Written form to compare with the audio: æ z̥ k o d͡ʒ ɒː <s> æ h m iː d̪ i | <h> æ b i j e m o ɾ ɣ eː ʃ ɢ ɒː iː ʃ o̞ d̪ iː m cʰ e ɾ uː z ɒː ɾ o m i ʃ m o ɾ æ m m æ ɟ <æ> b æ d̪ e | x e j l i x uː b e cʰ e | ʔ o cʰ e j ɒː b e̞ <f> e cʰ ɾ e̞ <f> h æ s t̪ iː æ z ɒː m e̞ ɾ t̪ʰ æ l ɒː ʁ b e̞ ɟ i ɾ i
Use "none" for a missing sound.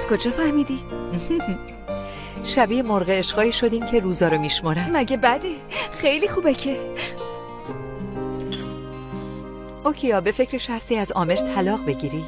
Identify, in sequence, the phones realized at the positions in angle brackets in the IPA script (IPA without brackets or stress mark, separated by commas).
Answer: f, ʃ, e, f, ʃ